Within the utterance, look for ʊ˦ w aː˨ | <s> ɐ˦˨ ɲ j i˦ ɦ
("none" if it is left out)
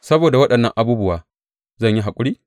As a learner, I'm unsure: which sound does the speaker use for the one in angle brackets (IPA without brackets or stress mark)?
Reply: z